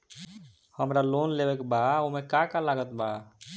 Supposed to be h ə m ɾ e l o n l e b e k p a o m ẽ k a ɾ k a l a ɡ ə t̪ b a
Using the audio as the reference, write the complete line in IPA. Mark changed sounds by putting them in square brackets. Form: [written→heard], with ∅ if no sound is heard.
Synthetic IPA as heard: h ə m ɾ [e→a] l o n l e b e k [p→b] a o m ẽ k a [ɾ→∅] k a l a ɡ ə t̪ b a